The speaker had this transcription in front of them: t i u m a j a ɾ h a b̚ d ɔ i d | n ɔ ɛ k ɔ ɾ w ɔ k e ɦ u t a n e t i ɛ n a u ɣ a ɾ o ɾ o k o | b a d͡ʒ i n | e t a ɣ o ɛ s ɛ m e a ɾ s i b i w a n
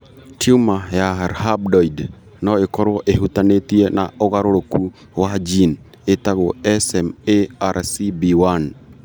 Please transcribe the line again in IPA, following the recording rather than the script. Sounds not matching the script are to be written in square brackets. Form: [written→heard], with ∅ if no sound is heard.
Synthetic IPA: t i u m a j a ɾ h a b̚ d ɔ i d | n ɔ [ɛ→e] k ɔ ɾ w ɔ [k→ʔ] e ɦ u t a n e t i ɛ n a [u→o] ɣ a ɾ o ɾ o k [o→u] | [b→w] a d͡ʒ i n | e t a ɣ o ɛ s ɛ m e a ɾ s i b i w a n